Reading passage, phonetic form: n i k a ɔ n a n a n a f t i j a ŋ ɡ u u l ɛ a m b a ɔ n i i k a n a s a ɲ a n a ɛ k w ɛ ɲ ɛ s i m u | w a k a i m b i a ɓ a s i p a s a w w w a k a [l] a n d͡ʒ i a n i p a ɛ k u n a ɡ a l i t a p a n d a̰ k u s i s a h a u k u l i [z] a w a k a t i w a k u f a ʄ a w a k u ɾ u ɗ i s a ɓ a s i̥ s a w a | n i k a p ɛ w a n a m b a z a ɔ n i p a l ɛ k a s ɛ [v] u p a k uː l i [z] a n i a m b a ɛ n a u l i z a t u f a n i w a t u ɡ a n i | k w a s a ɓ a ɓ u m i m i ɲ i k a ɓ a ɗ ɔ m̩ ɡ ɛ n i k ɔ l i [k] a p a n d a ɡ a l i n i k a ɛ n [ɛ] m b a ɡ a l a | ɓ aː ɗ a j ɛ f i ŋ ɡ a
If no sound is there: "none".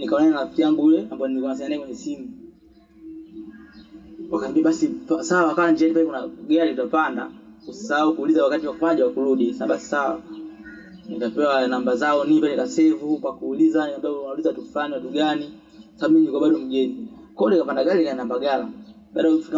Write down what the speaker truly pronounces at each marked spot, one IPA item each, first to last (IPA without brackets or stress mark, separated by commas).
l, z, v, z, k, a